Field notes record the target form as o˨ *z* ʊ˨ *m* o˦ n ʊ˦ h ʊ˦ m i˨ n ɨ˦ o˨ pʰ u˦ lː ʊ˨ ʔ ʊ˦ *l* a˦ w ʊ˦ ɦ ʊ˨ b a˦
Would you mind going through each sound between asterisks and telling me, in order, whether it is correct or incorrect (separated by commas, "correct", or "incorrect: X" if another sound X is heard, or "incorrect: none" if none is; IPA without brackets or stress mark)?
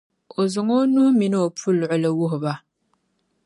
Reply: correct, incorrect: ŋ, correct